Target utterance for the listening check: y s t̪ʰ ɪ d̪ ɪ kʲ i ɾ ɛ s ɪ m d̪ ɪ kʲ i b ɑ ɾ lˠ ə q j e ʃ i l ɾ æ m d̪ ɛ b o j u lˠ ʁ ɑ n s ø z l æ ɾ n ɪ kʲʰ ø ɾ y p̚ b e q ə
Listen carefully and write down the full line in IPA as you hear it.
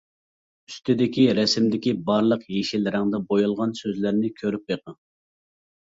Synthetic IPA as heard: y s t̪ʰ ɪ d̪ ɪ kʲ i ɾ ɛ s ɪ m d̪ ɪ kʲ i b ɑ ɾ lˠ ə q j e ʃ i l ɾ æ ŋ d̪ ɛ b o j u lˠ ʁ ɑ n s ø z l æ ɾ n ɪ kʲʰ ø ɾ y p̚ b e q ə